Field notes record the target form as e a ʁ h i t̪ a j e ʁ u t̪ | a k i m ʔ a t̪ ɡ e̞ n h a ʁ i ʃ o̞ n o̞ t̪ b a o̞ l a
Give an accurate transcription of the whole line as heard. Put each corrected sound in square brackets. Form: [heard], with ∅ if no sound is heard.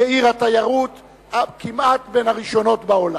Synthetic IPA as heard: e [i] ʁ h [a] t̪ a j [a] ʁ u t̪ | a k i m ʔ a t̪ [b] e̞ n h a ʁ i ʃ o̞ n o̞ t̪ b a o̞ l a

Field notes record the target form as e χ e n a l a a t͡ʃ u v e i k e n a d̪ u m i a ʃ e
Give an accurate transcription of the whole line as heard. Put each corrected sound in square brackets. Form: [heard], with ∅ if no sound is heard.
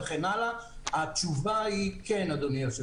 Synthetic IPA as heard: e χ e n a l a a t͡ʃ u v [a] i k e n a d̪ [o] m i a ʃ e

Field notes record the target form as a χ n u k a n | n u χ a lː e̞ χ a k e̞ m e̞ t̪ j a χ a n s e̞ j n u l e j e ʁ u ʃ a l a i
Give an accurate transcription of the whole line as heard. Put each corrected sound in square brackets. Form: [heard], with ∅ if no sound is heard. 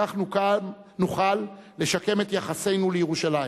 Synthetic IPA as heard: a χ n u k a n | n u χ a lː e̞ [ʃ] a k e̞ m e̞ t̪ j a χ a [∅] s e̞ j n u l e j e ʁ u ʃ a l a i

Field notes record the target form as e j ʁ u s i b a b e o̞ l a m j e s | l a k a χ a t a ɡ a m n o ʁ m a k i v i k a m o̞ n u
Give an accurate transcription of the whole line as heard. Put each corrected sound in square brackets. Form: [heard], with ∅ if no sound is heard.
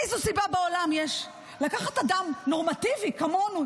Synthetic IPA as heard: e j [z] u s i b a b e o̞ l a m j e [ʃ] | l a k a χ a t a [d] a m n o ʁ m a [t] i v i k a m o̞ n u

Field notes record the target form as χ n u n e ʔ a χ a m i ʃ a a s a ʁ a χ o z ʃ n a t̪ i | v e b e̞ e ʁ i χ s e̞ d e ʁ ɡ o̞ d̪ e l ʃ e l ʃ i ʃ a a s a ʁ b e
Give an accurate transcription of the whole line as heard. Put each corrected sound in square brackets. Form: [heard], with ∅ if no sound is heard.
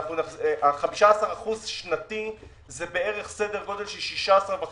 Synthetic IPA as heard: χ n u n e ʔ a χ a m i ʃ a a s a ʁ a χ [u] z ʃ n a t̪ i | [z] e b e̞ e ʁ [e] χ s e̞ d e ʁ ɡ o̞ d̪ e l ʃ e l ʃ i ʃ a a s a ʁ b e

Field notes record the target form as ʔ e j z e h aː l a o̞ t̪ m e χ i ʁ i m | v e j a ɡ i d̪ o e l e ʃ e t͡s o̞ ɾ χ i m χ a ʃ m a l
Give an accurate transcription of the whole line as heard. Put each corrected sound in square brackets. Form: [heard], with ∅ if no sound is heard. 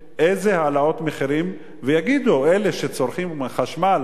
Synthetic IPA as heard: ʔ e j z e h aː l a o̞ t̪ m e χ i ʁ i m | v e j a ɡ i d̪ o e l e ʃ e t͡s o̞ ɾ χ i m χ a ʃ m a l

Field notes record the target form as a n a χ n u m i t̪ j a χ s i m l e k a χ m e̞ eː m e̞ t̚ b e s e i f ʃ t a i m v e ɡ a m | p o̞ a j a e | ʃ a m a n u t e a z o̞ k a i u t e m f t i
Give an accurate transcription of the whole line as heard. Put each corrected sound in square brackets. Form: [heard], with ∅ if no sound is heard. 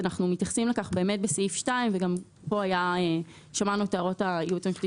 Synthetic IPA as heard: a n a χ n u m i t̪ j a χ s i m l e k a χ [b] e̞ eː m e̞ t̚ b e s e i f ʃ t a i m v e ɡ a m | p o̞ a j a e | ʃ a m a n u t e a [ʁ] o̞ [t] a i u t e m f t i

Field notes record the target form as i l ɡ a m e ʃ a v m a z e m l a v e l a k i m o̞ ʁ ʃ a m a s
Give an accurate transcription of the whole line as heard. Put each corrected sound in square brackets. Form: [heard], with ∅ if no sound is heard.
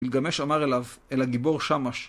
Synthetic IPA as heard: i l ɡ a m e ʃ a [∅] m a [ʁ] e [∅] l a v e l a [ɡ] i [b] o̞ ʁ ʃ a m a [ʃ]

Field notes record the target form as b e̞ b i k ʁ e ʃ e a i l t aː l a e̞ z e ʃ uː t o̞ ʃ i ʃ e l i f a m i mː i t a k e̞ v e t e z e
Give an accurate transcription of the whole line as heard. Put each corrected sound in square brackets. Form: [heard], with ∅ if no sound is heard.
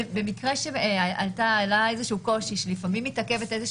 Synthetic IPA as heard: b e̞ [m] i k ʁ e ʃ e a [a] l t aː l a e̞ z e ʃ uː [k] o̞ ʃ i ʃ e l i f a m i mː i t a k e̞ v e t e z e

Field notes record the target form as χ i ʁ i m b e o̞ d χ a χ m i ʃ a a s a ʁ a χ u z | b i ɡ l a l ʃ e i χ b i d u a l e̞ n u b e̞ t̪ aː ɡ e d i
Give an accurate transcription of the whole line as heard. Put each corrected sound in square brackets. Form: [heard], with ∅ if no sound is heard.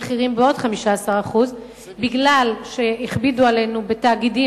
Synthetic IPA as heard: χ i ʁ i m b e o̞ d χ a [∅] m i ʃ a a s a ʁ a χ u z | b i ɡ l a l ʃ e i χ b i d u a l e̞ n u b e̞ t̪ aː ɡ [i] d i

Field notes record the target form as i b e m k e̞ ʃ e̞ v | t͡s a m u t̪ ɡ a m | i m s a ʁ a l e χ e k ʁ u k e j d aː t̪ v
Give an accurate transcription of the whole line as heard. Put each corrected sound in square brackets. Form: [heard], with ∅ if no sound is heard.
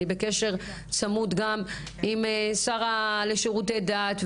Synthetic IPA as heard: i b e [∅] k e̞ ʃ e̞ [ʁ] | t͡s a m u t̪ ɡ a m | i m s a ʁ a l e [ʃ] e [∅] ʁ u [t] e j d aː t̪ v

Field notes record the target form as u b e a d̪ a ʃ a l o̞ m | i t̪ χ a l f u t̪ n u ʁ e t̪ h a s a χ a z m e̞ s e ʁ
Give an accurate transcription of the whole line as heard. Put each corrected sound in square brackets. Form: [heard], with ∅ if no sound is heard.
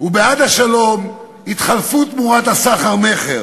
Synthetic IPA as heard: u b e a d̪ a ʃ a l o̞ m | i t̪ χ a l f u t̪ [m] u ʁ [a] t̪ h a s a χ a [ʁ] m e̞ [χ] e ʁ

